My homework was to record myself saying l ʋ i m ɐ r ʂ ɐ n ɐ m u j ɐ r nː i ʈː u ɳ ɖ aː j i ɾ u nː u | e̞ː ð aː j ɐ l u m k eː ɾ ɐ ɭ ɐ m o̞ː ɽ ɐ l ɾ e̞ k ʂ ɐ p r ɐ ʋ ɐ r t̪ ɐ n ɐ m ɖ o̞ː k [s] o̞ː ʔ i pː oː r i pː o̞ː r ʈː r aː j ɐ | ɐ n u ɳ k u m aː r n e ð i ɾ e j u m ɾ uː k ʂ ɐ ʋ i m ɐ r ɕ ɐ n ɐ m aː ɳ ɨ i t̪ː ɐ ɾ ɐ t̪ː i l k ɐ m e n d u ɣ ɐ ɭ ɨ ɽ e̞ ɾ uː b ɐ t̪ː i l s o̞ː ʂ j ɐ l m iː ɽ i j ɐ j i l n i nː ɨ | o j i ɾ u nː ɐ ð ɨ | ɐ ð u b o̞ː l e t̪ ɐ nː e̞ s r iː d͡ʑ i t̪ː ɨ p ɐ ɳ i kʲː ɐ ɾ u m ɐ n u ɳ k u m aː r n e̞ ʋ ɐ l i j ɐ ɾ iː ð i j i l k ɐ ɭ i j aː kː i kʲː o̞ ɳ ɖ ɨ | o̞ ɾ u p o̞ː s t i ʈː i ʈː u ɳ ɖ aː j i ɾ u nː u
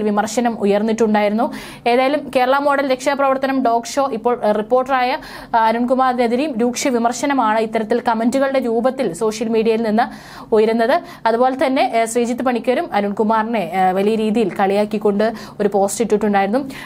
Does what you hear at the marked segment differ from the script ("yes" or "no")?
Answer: yes